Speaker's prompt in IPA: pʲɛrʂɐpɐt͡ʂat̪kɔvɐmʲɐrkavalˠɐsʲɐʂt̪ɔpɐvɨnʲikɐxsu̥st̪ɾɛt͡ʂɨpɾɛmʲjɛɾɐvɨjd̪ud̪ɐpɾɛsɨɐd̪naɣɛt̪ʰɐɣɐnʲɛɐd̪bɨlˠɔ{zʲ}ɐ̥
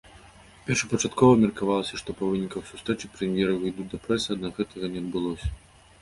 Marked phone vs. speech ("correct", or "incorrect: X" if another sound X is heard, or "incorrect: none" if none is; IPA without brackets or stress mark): incorrect: sʲ